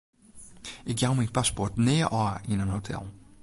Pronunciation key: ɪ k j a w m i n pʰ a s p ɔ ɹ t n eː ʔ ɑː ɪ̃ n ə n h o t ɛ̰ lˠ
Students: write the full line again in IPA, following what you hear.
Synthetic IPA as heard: ɪ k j a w m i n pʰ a s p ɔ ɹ t n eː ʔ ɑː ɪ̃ n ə n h o tʰ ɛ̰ lˠ